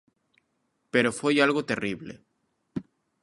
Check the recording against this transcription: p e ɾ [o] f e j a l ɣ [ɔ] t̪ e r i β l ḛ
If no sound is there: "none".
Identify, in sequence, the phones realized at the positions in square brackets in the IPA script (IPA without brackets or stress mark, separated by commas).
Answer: o, o